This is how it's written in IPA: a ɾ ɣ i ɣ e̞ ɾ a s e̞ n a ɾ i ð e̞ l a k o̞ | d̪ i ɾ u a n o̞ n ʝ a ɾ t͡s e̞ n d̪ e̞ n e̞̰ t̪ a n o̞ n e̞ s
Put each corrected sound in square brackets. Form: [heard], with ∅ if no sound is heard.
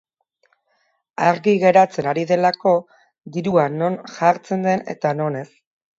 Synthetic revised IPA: a ɾ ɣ i ɣ e̞ ɾ a [t͡s] e̞ n a ɾ i ð e̞ l a k o̞ | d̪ i ɾ u a n o̞ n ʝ a ɾ t͡s e̞ n d̪ e̞ n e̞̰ t̪ a n o̞ n e̞ s